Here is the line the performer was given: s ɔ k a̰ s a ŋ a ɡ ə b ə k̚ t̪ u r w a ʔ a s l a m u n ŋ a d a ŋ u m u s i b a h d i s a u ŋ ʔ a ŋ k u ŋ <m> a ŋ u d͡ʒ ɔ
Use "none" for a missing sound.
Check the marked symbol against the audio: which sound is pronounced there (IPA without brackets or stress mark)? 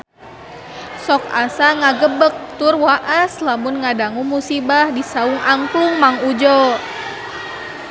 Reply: m